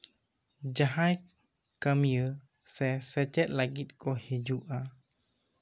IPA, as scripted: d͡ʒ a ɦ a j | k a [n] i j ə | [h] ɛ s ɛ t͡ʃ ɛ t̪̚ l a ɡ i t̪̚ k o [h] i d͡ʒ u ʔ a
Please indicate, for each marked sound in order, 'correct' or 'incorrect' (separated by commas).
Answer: incorrect, incorrect, correct